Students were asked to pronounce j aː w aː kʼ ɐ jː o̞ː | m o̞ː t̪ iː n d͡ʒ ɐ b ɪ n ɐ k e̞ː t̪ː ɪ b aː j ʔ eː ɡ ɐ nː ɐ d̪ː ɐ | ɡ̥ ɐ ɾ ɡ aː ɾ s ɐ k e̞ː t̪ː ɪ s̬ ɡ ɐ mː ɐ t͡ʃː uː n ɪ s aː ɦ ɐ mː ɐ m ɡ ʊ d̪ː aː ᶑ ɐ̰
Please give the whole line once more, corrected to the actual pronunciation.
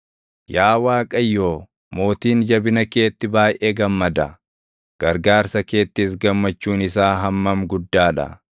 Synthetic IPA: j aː w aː kʼ ɐ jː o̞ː | m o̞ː t̪ iː n d͡ʒ ɐ b ɪ n ɐ k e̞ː t̪ː ɪ b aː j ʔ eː ɡ ɐ mː ɐ d̪ ɐ | ɡ̥ ɐ ɾ ɡ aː ɾ s ɐ k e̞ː t̪ː ɪ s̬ ɡ ɐ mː ɐ t͡ʃː uː n ɪ s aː ɦ ɐ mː ɐ m ɡ ʊ d̪ː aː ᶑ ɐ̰